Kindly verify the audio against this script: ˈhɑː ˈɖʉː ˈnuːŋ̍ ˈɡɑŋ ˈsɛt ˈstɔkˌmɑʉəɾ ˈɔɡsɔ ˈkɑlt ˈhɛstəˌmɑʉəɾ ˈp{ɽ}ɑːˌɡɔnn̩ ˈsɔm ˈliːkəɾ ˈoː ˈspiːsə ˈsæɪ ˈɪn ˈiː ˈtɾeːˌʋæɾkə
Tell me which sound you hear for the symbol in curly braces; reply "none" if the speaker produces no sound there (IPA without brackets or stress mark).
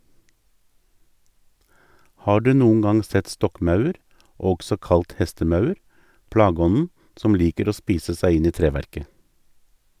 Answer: ɽ